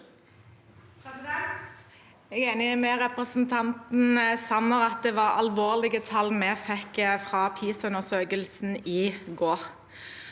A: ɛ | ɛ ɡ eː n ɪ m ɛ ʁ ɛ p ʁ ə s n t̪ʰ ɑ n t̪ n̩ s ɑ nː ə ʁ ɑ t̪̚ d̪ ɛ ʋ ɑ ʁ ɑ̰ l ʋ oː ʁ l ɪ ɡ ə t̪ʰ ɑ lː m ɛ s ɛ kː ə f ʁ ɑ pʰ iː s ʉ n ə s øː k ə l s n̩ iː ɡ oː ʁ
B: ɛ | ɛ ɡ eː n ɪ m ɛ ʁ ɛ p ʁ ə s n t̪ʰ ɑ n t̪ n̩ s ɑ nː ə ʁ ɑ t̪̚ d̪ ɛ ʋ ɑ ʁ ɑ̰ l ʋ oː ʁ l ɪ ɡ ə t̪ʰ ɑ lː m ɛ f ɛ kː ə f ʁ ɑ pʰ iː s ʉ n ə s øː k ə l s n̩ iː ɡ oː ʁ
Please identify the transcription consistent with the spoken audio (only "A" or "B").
B